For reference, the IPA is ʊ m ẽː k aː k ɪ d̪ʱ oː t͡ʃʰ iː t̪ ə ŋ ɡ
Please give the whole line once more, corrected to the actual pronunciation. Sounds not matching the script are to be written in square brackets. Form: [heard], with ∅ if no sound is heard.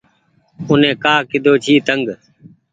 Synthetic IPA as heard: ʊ [n] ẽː k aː k ɪ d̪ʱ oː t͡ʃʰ iː t̪ ə ŋ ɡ